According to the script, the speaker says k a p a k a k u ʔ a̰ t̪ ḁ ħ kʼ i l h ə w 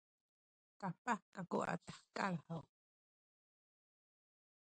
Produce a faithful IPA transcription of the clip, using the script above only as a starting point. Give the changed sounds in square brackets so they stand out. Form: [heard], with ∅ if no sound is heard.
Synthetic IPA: k a p a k a k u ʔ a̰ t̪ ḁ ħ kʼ [a] l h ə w